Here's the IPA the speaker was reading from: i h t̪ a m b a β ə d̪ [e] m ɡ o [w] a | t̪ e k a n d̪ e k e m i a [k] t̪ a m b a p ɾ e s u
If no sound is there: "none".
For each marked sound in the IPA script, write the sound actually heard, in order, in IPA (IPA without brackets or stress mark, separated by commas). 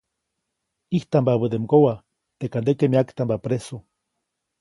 e, w, k